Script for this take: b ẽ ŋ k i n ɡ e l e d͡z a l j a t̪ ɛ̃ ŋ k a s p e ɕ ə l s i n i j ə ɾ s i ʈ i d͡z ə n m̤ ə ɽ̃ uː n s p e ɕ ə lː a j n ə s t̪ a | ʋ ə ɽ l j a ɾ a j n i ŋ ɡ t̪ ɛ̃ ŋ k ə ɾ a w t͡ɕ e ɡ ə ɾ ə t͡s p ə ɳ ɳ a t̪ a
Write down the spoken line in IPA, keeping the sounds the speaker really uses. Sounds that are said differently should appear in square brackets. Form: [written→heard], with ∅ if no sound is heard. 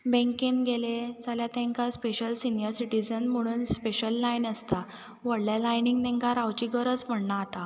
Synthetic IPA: b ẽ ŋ k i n ɡ e l e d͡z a l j a t̪ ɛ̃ ŋ k a s p e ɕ ə l s i n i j ə ɾ s i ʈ i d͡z ə n m̤ ə ɽ̃ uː n s p e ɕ ə lː a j n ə s t̪ a | ʋ ə ɽ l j a [ɾ→l] a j n i ŋ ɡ t̪ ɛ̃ ŋ k [ə→a] ɾ a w t͡ɕ [e→i] ɡ ə ɾ ə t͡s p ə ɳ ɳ a t̪ a